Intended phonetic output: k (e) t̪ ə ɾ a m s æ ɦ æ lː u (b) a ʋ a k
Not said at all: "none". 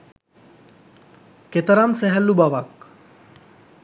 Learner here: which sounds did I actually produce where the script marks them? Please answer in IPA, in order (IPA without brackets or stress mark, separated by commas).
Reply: e, b